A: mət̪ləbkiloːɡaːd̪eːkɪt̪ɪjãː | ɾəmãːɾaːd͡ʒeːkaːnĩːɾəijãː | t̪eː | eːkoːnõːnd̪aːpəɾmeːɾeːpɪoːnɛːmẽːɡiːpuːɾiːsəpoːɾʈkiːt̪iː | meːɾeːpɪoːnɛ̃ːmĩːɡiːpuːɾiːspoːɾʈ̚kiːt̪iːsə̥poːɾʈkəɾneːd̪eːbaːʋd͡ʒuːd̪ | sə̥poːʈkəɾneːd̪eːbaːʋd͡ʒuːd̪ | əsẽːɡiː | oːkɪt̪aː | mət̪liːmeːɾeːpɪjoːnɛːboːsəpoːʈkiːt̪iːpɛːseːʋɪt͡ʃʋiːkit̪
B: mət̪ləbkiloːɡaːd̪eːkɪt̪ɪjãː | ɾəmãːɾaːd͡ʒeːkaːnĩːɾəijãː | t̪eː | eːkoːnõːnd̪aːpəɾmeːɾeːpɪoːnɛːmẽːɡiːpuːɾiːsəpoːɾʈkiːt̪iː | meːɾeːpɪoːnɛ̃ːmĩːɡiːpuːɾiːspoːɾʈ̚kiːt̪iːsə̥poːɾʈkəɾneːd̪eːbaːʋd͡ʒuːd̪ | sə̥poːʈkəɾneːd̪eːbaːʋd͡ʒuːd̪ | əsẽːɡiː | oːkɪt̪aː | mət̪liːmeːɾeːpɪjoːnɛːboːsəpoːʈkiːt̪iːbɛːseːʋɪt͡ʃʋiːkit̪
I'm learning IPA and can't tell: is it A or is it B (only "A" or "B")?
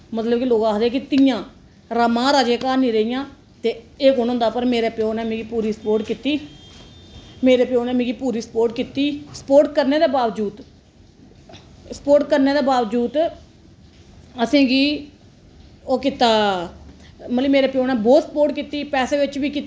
A